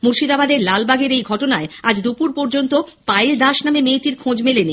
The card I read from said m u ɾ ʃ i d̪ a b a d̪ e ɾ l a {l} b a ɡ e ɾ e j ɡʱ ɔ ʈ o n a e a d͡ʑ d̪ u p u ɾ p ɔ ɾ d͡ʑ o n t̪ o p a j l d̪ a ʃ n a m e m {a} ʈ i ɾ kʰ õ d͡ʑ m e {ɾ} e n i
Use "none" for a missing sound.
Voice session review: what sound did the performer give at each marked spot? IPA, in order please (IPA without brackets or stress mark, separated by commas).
l, e, l